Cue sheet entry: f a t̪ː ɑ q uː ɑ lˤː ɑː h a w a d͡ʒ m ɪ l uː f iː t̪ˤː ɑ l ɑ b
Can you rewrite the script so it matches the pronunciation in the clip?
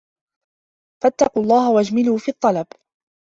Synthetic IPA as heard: f a t̪ː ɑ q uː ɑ lˤː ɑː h a w a d͡ʒ m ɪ l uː f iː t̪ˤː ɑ l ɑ b